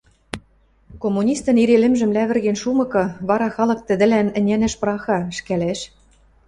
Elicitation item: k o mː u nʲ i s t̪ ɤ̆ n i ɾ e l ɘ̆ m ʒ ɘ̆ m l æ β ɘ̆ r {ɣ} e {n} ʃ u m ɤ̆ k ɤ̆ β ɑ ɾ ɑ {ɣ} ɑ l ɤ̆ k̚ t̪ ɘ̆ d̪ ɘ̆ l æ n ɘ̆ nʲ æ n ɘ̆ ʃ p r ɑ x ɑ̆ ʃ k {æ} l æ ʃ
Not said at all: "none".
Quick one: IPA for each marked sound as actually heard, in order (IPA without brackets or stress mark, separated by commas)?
ɣ, n, x, æ